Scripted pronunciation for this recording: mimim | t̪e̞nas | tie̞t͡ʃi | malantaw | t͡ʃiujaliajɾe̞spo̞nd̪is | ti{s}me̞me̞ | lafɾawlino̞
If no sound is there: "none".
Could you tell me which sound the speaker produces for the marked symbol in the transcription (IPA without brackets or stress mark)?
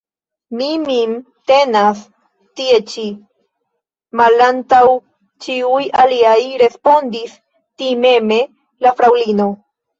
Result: none